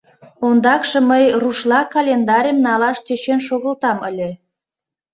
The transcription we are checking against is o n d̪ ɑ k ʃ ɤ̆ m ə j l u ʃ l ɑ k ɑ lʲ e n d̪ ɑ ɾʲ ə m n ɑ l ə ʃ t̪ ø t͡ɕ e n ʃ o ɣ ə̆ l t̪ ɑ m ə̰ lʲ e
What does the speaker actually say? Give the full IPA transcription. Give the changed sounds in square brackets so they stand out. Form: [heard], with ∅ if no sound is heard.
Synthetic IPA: o n d̪ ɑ k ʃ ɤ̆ m ə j [r] u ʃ l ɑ k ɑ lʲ e n d̪ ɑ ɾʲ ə m n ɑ l [ɑ] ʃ t̪ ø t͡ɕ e n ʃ o ɣ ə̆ l t̪ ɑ m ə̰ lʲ e